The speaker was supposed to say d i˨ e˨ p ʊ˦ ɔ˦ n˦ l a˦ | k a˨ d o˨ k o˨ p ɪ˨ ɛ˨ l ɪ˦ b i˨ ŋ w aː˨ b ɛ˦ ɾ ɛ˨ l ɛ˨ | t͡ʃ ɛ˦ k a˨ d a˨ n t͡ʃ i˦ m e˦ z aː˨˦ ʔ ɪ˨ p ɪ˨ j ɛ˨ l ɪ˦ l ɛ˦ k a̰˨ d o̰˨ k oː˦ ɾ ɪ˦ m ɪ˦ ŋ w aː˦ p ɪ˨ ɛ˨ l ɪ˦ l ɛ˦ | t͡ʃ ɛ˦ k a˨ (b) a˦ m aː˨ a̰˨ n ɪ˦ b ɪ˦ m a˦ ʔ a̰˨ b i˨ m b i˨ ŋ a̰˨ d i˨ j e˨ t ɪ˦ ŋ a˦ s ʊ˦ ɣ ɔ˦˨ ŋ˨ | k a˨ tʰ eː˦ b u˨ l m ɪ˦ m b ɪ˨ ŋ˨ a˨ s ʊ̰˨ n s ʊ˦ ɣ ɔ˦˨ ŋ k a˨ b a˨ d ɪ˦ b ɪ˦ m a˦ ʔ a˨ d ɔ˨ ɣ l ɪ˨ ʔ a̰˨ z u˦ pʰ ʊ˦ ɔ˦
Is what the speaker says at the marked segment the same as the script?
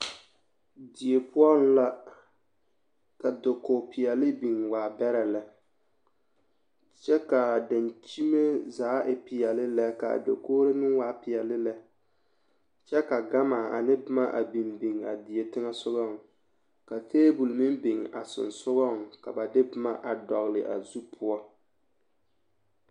no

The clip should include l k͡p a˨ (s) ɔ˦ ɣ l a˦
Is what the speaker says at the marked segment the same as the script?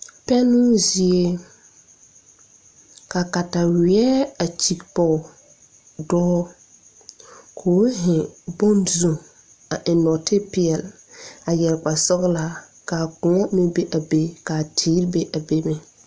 yes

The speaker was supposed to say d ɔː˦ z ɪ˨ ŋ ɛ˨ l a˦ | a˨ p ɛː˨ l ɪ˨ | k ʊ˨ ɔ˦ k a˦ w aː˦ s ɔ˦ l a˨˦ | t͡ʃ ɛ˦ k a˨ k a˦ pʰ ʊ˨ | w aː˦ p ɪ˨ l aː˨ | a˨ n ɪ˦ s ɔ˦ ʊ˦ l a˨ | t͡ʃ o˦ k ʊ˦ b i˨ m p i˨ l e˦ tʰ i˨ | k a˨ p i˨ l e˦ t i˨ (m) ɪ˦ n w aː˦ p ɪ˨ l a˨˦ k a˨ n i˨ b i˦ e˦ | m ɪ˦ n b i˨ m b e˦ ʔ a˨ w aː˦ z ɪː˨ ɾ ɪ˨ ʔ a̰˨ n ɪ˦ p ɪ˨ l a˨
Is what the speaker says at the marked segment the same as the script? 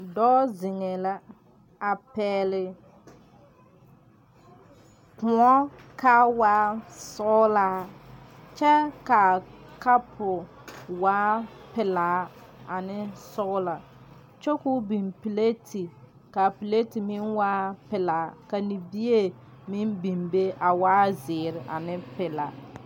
yes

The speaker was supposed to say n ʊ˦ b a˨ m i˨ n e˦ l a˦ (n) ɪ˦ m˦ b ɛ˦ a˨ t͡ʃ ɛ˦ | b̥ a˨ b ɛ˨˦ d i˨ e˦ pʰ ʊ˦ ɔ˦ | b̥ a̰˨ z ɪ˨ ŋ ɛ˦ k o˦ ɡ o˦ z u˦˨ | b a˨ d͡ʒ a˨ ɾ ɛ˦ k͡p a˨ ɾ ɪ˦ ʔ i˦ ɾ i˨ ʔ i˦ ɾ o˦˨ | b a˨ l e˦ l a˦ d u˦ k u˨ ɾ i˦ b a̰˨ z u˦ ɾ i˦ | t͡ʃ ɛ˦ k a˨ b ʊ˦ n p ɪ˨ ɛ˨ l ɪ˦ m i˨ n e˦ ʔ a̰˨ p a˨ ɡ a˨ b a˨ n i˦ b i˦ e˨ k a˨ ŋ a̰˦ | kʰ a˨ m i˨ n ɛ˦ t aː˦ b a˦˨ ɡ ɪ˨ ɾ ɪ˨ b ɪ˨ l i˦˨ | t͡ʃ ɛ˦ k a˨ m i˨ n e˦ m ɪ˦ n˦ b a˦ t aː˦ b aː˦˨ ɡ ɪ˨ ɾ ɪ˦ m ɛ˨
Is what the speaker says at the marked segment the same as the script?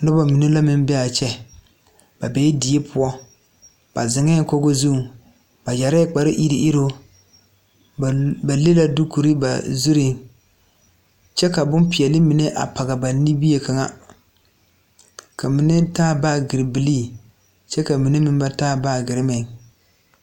no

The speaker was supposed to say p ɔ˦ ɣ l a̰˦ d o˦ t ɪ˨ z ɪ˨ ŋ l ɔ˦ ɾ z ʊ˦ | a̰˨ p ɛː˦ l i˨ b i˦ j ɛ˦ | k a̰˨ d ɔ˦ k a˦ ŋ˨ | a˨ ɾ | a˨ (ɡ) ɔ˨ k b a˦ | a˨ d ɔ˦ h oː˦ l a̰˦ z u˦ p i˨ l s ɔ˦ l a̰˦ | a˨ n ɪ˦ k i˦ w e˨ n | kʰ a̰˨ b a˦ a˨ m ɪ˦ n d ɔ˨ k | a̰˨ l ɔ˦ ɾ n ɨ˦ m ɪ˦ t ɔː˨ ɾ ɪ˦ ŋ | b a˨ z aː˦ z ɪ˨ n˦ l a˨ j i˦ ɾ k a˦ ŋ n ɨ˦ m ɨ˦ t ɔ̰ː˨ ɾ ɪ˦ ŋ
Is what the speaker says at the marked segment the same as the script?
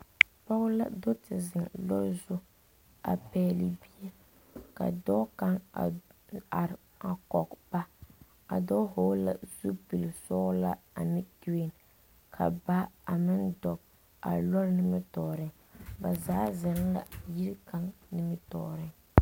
no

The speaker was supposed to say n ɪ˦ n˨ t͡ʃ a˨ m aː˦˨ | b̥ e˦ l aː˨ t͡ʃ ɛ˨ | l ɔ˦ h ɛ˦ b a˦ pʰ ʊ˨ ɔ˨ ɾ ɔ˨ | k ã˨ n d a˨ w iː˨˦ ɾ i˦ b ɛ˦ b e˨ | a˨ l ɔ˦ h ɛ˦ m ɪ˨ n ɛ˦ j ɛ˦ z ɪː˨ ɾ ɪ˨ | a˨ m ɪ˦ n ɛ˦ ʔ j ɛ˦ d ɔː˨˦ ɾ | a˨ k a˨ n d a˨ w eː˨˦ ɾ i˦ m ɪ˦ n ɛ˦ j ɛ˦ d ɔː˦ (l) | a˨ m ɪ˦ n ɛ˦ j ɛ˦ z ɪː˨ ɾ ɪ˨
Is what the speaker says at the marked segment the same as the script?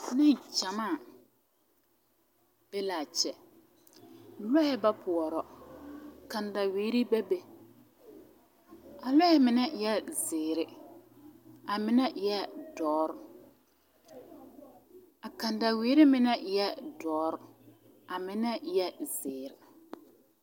no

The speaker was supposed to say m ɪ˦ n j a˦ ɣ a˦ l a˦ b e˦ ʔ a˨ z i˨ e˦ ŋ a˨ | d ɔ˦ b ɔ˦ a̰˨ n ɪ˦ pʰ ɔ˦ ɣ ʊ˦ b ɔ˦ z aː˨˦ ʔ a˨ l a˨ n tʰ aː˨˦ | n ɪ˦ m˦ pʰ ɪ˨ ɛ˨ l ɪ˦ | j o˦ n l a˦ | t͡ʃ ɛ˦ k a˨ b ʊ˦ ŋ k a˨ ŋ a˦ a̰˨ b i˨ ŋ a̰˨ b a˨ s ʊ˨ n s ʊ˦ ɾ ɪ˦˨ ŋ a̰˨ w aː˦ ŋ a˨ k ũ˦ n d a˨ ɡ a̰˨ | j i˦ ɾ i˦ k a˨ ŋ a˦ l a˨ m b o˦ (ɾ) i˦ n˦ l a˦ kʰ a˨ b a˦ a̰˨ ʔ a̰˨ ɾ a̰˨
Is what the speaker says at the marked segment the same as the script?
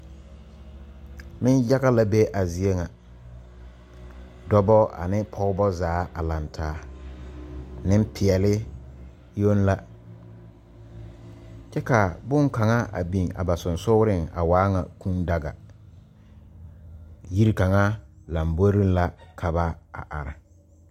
yes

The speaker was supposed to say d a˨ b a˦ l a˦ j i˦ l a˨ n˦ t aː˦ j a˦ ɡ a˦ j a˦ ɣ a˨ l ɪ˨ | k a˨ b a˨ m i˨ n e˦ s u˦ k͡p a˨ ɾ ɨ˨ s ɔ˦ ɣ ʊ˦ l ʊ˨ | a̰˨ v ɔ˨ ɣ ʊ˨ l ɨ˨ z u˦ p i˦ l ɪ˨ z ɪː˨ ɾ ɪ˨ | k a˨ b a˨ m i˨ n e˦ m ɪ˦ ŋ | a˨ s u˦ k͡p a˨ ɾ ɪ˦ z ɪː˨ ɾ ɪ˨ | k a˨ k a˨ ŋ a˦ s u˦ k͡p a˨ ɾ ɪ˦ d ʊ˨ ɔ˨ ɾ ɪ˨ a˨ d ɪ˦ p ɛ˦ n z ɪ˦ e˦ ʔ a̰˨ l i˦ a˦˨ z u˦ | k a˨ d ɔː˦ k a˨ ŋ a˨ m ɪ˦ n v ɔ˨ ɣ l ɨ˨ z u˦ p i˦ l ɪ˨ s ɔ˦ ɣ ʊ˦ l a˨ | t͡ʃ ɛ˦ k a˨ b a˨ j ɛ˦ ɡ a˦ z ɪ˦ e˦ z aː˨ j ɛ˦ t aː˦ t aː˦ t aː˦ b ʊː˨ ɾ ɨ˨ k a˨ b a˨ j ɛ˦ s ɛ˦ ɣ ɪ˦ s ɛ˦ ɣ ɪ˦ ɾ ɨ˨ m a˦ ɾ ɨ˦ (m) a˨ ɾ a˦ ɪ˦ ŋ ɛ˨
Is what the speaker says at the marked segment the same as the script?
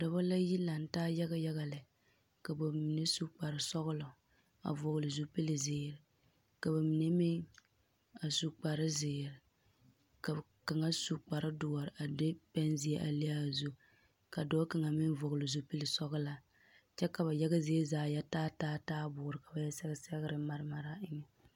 yes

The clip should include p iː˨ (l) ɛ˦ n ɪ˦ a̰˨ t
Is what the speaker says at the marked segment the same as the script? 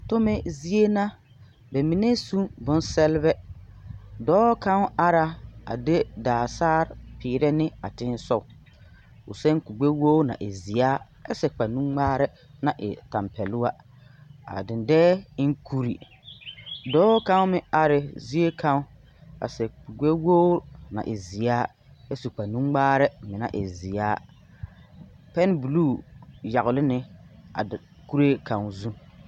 no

